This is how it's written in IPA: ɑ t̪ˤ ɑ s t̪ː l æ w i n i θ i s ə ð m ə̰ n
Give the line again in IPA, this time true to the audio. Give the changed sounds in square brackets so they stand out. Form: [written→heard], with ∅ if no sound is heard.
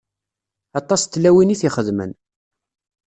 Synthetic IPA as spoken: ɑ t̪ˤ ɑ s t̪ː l æ w i n i θ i [s→χ] ə ð m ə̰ n